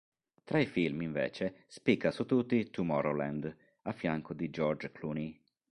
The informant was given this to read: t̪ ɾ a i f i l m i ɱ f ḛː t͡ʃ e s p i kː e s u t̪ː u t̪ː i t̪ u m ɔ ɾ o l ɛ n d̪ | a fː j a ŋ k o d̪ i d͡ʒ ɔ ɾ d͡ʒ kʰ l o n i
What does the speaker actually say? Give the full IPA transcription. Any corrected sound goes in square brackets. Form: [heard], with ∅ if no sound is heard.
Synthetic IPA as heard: t̪ ɾ a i f i l m i ɱ [v] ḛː t͡ʃ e s p i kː [a] s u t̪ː u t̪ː i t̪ u m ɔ ɾ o l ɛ n d̪ | a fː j a ŋ k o d̪ i d͡ʒ ɔ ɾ d͡ʒ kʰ l [u] n i